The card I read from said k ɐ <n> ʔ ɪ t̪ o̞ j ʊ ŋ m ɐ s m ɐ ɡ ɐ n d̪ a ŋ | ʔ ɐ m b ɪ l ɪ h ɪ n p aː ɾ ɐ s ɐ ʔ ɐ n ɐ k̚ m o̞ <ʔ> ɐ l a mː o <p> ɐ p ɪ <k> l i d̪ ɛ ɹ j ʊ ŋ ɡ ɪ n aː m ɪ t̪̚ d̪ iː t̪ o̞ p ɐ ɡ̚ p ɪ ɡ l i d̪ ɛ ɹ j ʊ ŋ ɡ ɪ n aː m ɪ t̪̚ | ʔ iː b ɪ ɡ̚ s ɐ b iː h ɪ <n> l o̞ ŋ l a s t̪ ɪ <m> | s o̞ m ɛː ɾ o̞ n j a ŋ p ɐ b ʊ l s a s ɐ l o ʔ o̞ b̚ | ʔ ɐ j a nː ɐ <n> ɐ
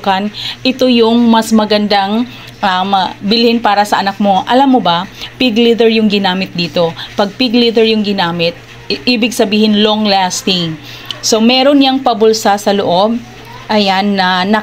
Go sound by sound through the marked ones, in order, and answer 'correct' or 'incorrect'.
correct, correct, incorrect, incorrect, correct, incorrect, correct

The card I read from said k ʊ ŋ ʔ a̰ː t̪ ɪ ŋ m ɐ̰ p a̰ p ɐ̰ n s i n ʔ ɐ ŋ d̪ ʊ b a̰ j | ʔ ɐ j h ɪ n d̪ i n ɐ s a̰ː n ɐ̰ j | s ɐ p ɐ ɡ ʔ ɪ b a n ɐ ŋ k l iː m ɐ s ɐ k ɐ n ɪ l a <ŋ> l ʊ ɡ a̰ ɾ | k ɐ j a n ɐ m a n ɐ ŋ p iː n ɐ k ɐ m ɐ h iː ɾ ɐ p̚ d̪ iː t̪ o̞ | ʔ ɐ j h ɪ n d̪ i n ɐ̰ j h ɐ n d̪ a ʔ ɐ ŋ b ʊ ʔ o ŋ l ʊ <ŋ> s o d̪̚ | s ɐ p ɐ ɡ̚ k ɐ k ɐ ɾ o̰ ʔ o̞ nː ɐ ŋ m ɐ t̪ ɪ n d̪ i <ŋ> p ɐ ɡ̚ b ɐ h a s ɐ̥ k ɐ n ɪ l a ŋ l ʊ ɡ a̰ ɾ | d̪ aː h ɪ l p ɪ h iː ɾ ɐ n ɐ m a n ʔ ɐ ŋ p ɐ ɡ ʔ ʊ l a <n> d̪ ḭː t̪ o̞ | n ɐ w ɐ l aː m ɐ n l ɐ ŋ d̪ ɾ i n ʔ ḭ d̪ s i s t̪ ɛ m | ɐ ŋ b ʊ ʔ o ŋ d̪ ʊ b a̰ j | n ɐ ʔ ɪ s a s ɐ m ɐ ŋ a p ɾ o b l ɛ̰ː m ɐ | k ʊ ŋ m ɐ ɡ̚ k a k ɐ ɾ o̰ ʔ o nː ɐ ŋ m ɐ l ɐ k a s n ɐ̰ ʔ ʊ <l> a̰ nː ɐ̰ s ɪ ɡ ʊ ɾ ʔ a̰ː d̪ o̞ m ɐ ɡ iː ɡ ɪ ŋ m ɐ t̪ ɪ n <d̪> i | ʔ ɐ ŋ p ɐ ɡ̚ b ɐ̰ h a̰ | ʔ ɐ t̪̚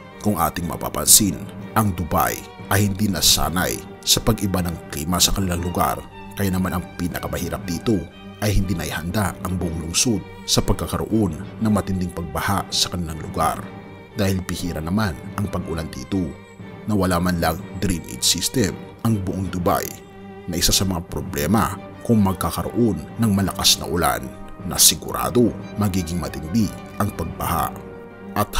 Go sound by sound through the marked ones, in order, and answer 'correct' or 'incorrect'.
correct, correct, correct, correct, correct, correct

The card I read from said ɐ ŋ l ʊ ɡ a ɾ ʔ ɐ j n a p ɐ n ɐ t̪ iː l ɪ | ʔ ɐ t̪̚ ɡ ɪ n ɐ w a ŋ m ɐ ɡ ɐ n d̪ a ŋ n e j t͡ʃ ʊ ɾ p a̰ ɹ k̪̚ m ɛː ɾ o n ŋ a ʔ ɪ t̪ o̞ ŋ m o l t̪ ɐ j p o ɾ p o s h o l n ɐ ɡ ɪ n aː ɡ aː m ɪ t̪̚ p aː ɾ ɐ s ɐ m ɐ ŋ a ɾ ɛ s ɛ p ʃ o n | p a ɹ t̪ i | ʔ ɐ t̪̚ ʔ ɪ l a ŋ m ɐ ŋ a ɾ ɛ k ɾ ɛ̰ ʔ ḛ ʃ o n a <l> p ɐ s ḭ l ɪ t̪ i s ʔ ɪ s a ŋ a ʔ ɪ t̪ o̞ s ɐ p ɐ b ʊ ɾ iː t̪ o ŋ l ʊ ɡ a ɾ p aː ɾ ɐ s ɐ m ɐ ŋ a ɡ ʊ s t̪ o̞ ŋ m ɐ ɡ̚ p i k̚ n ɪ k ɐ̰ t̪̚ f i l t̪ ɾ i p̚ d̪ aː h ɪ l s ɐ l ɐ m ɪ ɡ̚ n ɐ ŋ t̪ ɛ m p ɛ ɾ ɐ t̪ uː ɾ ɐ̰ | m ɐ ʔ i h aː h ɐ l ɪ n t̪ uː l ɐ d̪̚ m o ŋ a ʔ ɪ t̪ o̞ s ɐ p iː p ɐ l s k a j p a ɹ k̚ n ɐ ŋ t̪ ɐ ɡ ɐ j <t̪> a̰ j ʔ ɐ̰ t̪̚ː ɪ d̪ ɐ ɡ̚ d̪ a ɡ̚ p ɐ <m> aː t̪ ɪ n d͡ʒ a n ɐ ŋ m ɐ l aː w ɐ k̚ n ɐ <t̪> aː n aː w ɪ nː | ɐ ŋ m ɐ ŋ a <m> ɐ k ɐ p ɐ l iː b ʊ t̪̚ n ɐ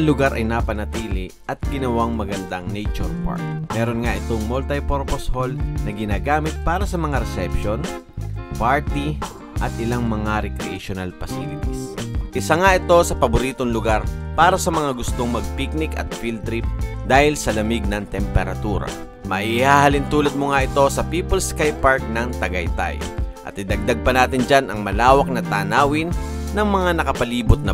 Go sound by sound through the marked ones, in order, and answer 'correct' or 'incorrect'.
correct, correct, incorrect, correct, incorrect

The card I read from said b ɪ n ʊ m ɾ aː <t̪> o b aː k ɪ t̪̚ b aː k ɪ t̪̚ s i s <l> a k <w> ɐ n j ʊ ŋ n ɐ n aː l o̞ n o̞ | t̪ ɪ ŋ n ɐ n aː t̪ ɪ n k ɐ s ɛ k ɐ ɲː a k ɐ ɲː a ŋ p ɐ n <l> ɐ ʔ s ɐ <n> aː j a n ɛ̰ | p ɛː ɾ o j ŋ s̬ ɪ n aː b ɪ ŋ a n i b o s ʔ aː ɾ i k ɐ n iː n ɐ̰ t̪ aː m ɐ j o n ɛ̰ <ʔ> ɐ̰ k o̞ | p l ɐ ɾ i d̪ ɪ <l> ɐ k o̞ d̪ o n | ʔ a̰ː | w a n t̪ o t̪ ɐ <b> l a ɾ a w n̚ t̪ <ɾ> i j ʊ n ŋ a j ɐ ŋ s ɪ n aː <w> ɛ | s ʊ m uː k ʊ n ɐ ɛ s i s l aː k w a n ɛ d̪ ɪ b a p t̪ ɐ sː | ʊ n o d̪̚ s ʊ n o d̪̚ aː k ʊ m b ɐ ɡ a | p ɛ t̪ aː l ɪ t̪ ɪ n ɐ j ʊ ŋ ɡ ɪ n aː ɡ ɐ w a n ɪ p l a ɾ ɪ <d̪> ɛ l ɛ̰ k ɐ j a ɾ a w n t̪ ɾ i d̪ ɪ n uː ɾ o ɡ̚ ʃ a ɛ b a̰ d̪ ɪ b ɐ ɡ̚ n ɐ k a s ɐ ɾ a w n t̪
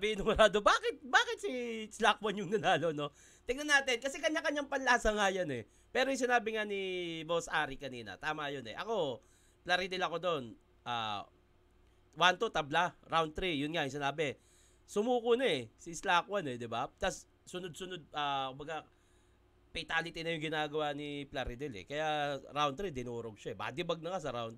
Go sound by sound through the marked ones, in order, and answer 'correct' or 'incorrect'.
incorrect, correct, correct, correct, incorrect, correct, correct, correct, correct, incorrect, correct

